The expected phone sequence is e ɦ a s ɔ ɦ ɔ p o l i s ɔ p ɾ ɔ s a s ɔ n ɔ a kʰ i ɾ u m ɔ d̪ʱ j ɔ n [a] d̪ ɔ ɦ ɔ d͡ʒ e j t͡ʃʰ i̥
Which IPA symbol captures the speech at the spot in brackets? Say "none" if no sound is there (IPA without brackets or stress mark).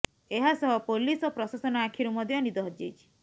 i